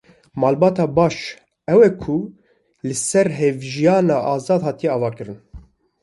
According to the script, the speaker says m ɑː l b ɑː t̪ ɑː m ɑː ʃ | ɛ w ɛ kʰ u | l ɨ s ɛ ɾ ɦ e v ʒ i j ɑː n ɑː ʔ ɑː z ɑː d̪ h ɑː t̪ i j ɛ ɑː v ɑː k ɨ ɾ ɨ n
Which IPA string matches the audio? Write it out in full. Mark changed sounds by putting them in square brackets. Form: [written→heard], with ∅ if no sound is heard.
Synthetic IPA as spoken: m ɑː l b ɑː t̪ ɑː [m→b] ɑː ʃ | ɛ w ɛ kʰ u | l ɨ s ɛ ɾ ɦ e v ʒ i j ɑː n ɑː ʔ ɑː z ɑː d̪ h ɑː t̪ i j ɛ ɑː v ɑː k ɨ ɾ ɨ n